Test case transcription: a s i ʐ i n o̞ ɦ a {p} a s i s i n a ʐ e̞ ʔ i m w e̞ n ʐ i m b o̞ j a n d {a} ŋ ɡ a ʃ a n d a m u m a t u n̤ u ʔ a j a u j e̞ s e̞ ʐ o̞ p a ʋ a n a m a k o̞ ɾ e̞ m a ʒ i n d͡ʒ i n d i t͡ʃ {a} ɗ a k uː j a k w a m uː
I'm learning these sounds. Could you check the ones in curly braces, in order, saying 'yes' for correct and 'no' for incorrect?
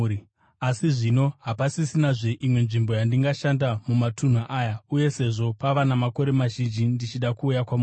yes, no, no

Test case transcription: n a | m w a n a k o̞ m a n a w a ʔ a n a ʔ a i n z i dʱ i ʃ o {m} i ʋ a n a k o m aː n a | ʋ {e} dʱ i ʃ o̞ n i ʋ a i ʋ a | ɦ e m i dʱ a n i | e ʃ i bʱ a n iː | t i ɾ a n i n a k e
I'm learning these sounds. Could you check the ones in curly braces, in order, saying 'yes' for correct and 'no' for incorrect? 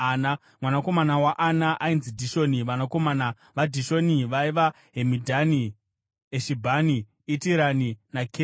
no, no

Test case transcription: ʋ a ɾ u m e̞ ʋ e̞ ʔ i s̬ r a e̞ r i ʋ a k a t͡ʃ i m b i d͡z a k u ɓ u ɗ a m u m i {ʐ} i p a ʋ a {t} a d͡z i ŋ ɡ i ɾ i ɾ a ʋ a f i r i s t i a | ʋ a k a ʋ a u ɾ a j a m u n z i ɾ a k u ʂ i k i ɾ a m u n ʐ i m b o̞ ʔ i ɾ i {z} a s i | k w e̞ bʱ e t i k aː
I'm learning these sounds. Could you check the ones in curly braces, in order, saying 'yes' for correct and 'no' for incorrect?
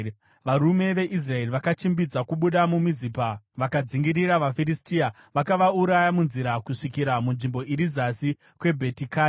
no, no, yes

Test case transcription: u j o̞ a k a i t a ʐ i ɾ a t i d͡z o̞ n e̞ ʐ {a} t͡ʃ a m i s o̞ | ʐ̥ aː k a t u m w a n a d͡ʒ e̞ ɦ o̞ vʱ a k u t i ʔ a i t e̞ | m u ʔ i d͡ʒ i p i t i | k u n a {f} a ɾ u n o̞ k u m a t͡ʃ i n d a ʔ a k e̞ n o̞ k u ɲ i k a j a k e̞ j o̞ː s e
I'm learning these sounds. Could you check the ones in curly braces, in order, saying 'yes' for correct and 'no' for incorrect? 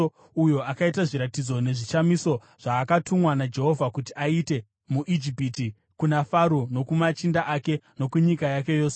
no, yes

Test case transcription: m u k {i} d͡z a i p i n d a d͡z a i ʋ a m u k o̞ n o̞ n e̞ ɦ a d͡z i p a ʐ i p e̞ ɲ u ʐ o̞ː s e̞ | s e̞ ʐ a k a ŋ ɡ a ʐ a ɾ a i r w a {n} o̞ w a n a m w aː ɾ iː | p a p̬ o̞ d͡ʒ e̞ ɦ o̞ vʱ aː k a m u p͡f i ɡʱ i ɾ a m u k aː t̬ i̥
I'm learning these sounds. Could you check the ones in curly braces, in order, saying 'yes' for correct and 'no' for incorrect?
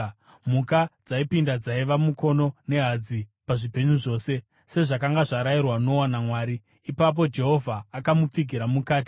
no, yes

